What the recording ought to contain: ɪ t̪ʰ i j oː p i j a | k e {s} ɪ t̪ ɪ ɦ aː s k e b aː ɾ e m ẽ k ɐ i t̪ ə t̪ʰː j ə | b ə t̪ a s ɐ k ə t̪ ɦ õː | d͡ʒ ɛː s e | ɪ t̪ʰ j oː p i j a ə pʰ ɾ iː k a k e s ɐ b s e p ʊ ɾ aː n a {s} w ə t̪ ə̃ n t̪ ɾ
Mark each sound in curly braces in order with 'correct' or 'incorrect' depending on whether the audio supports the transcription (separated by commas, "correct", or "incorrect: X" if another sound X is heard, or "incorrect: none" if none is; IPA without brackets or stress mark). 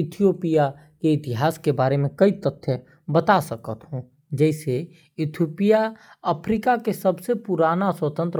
incorrect: none, correct